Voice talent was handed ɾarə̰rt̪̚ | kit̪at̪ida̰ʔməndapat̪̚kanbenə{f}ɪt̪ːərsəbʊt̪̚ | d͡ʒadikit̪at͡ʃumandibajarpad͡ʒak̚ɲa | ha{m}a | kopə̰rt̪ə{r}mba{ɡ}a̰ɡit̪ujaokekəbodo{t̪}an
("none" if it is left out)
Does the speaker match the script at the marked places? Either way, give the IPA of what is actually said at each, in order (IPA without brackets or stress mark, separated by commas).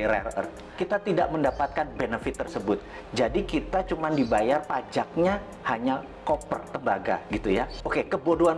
f, ɲ, none, ɡ, none